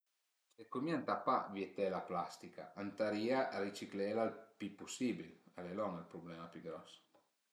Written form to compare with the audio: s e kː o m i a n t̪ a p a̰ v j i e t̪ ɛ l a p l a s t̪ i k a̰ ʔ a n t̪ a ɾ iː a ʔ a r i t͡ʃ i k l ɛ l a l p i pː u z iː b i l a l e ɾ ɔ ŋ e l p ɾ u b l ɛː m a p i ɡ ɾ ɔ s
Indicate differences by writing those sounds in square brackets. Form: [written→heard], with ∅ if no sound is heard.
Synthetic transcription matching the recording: s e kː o m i a n t̪ a p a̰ v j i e t̪ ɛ l a p l a s t̪ i k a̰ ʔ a n t̪ a ɾ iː a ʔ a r i t͡ʃ i k l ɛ l a l p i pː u [z→s] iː b i l a l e [ɾ→l] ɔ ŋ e l p ɾ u b l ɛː m a p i ɡ ɾ ɔ s

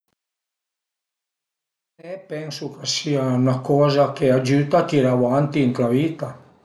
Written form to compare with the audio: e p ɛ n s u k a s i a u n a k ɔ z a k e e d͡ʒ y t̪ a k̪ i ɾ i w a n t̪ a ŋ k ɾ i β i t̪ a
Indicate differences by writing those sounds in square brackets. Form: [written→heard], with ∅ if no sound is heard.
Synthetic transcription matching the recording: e p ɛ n s u k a s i a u n a k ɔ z a k e [e→a] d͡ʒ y t̪ a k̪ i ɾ [i→a] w a n t̪ [a→i] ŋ k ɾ [i→a] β i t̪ a

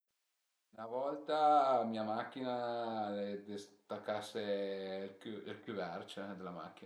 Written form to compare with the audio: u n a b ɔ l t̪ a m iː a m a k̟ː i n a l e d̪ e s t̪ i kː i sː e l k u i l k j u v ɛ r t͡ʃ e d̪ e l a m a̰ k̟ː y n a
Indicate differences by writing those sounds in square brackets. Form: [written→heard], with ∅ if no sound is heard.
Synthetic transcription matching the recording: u n a [b→v] ɔ l t̪ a m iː a m a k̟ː i n a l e d̪ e s t̪ [i→a] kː [i→a] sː e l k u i l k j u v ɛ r t͡ʃ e d̪ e l a m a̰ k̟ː [y→i] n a

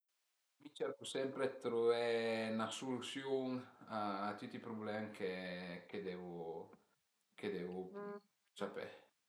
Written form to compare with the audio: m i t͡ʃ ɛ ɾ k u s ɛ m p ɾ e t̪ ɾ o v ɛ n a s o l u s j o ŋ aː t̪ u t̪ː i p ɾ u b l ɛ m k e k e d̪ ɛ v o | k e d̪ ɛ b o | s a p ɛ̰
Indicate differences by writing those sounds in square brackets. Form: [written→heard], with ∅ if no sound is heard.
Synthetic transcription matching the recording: m i t͡ʃ ɛ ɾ k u s ɛ m p ɾ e t̪ ɾ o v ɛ n a s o l u s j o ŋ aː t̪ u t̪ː i p ɾ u b l ɛ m k e k e d̪ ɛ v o | k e d̪ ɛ [b→v] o | s a p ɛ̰

